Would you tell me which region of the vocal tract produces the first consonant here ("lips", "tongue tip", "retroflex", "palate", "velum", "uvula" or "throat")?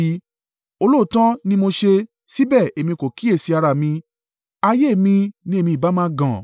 tongue tip